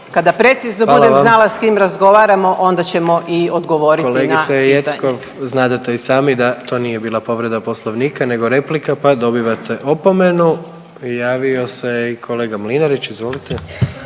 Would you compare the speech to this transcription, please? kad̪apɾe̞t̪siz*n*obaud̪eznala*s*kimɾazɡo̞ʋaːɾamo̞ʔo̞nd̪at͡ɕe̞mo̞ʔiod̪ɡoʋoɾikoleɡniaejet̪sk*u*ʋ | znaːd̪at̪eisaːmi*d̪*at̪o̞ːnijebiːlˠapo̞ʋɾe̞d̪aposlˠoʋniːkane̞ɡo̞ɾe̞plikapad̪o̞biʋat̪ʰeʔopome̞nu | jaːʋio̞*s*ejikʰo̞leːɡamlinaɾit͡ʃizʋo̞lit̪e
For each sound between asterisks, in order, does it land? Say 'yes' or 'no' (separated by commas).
yes, yes, no, yes, yes